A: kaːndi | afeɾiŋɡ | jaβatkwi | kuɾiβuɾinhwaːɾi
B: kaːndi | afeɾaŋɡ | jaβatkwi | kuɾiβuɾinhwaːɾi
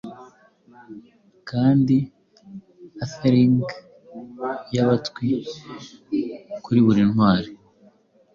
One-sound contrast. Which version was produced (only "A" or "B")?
A